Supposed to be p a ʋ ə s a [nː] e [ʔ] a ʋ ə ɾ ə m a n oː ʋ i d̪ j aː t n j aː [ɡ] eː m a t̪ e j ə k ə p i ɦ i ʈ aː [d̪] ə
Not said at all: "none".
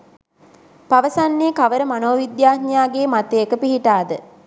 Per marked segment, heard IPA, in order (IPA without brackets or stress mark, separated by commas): nː, k, ɡ, d̪